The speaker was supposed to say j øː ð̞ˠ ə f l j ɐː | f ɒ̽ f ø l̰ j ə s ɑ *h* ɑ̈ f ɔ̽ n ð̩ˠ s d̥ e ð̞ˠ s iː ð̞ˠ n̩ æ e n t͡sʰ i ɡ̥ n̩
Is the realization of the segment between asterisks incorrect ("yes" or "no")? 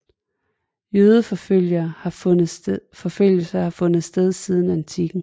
no